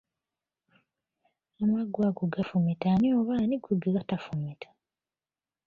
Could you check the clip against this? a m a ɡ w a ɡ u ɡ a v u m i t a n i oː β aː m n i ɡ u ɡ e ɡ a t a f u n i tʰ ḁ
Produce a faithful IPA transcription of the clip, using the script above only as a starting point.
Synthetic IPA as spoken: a m a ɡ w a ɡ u ɡ a f u m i t a n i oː β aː n i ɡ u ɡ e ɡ a t a f u m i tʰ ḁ